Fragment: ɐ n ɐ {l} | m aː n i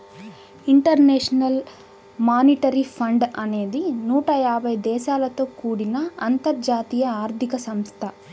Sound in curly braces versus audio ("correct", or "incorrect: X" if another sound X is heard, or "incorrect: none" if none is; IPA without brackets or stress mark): correct